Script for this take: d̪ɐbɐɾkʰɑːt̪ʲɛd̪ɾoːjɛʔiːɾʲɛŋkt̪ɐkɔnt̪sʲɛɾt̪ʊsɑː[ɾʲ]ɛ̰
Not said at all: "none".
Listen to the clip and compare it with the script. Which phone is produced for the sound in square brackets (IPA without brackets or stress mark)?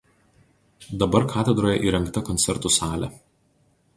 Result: lʲ